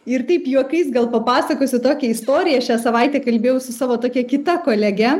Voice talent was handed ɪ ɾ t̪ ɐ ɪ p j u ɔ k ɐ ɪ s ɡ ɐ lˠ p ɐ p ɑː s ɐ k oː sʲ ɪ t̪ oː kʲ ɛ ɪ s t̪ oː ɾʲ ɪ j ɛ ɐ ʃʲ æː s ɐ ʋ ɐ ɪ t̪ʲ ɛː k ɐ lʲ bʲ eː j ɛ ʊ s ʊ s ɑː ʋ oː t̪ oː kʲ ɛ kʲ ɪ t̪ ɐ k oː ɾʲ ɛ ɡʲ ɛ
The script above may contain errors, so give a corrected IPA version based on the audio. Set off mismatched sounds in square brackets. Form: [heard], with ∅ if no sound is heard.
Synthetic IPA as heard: ɪ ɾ t̪ ɐ ɪ p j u ɔ k ɐ ɪ s ɡ ɐ lˠ p ɐ p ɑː s ɐ k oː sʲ ɪ t̪ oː kʲ ɛ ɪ s t̪ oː ɾʲ ɪ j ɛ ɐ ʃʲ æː s ɐ ʋ ɐ ɪ t̪ʲ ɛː k ɐ lʲ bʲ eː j ɛ ʊ s ʊ s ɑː ʋ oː t̪ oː kʲ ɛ kʲ ɪ t̪ ɐ k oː [lʲ] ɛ ɡʲ ɛ